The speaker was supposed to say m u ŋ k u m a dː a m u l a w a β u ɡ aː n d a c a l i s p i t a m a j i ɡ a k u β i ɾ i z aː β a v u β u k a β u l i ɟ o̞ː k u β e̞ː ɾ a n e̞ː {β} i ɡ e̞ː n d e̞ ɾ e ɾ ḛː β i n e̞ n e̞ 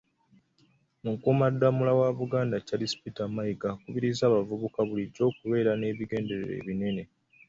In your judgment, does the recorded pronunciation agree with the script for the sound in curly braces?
yes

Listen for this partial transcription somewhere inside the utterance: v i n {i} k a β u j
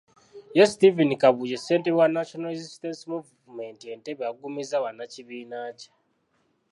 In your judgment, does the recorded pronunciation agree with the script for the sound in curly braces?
yes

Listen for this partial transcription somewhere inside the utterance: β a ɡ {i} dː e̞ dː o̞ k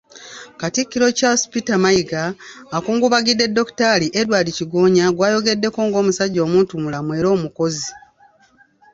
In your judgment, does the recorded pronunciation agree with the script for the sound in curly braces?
yes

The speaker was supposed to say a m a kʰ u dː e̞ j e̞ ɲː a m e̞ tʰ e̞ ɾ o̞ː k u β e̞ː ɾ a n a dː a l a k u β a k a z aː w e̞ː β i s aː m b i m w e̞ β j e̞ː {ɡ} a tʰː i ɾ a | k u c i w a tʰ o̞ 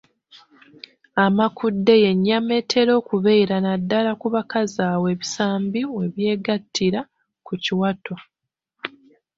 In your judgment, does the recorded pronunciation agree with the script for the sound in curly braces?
yes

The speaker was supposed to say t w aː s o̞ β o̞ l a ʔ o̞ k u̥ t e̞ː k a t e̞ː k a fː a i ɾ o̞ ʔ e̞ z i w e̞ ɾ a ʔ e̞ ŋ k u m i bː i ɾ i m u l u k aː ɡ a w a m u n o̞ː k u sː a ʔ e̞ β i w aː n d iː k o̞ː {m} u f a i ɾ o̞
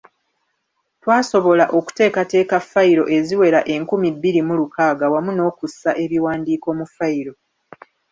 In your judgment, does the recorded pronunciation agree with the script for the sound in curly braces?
yes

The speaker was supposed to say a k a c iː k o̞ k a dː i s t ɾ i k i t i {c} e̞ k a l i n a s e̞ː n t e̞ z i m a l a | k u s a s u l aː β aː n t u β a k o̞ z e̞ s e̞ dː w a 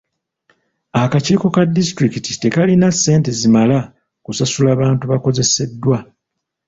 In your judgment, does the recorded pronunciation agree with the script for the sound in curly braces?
no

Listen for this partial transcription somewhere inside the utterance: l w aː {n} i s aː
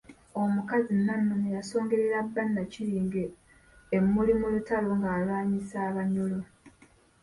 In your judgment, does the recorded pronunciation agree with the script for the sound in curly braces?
no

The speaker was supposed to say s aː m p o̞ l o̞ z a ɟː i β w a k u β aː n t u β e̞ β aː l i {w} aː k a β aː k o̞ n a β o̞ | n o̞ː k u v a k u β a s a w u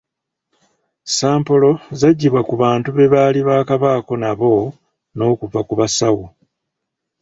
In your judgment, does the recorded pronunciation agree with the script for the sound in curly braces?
no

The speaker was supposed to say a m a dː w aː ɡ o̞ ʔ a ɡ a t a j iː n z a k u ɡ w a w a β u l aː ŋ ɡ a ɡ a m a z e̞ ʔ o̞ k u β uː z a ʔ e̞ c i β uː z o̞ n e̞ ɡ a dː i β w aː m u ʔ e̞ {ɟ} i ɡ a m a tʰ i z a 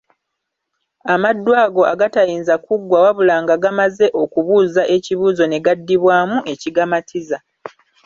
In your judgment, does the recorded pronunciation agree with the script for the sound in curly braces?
no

